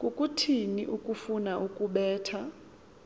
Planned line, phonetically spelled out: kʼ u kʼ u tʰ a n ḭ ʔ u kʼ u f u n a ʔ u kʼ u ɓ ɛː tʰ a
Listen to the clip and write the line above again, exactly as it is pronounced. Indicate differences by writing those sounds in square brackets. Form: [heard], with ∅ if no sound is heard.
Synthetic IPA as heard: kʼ u kʼ u tʰ [i] n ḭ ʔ u kʼ u f u n a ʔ u kʼ u ɓ ɛː tʰ a